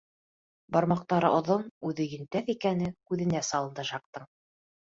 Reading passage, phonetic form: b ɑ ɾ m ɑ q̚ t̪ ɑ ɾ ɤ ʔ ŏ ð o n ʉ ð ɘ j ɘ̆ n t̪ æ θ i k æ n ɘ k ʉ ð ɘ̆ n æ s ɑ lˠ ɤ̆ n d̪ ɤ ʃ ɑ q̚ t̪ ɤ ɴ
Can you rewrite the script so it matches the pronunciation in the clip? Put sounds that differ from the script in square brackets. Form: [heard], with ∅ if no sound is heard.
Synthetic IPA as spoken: b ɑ ɾ m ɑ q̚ t̪ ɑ ɾ ɤ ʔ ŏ ð o n ʉ ð ɘ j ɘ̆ n t̪ æ θ i k æ n ɘ k ʉ ð ɘ̆ n æ s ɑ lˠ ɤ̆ n d̪ ɤ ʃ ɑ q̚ t̪ ɤ ɴ